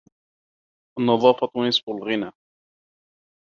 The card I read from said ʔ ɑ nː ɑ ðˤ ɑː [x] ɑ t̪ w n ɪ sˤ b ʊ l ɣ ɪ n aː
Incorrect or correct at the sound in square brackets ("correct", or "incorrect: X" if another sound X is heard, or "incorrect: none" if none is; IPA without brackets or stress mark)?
incorrect: f